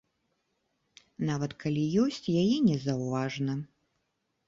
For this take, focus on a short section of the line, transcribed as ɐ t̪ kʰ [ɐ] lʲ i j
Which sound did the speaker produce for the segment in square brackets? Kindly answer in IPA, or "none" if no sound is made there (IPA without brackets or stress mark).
a